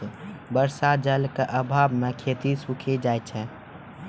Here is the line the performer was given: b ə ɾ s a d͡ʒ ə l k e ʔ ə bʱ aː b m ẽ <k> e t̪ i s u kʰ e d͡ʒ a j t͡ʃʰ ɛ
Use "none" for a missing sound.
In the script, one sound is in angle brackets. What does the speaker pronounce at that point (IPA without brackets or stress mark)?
kʰ